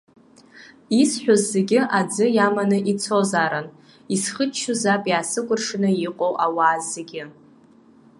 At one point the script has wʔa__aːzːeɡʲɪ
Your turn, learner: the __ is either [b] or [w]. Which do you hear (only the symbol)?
w